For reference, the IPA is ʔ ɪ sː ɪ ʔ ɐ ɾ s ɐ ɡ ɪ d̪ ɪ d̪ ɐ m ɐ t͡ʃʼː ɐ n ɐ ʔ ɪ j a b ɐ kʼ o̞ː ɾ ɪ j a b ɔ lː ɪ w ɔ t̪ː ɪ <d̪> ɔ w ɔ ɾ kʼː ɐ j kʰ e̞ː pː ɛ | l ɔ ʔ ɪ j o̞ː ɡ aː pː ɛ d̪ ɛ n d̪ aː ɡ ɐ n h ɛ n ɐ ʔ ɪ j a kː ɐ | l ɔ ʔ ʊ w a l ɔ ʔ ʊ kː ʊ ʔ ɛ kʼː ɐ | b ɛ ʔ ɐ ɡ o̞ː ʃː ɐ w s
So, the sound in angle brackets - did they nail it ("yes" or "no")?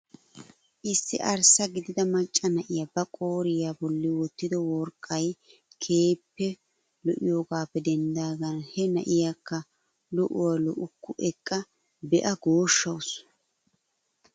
yes